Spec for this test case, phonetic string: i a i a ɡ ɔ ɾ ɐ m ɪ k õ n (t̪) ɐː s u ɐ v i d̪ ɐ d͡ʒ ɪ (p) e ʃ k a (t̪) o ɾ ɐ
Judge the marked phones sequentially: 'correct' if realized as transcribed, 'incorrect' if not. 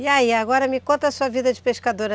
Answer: correct, correct, incorrect

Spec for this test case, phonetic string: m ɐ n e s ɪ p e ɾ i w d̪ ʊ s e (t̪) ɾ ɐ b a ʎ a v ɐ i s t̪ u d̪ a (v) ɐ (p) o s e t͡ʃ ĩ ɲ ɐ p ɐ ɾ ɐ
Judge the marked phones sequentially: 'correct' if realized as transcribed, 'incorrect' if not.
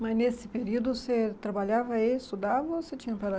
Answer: correct, correct, incorrect

